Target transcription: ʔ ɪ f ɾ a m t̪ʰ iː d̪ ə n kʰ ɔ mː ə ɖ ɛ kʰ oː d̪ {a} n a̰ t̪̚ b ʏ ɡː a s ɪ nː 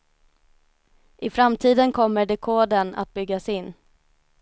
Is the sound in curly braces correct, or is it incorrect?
incorrect